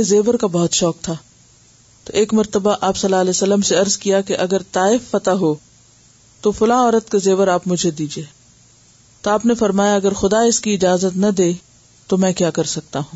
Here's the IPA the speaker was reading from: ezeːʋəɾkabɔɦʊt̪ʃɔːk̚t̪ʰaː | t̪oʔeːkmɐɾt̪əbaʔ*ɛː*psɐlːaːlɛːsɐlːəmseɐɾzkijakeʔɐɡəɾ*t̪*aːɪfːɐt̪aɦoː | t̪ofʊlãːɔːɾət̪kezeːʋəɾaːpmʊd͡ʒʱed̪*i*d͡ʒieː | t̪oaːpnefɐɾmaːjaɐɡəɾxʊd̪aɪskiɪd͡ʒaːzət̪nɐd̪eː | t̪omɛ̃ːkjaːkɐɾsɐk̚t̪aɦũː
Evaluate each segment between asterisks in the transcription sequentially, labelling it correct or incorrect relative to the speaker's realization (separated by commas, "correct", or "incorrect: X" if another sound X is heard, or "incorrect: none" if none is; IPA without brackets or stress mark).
incorrect: aː, correct, incorrect: iː